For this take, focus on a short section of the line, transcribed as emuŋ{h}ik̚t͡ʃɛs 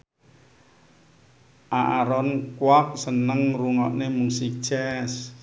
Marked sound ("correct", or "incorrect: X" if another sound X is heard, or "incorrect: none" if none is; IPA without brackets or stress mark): incorrect: s